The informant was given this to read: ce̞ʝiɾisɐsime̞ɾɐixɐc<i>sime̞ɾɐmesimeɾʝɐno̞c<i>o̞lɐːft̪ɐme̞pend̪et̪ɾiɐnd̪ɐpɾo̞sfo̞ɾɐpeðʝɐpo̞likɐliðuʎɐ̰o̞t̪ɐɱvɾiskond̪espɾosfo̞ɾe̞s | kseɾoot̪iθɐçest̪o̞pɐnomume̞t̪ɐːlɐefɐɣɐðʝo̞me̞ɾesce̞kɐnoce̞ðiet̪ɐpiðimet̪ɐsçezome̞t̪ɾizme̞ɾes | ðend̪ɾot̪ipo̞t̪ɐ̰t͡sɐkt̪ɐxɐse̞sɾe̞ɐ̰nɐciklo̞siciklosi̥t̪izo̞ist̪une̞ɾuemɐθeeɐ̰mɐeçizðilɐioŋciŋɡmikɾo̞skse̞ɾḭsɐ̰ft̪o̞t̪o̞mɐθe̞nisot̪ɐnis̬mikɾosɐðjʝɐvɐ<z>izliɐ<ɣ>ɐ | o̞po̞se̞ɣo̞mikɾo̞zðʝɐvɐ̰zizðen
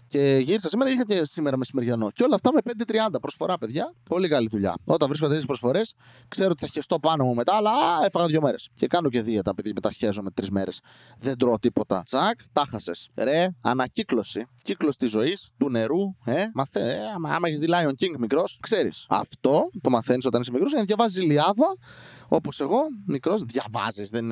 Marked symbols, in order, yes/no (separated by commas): no, no, yes, no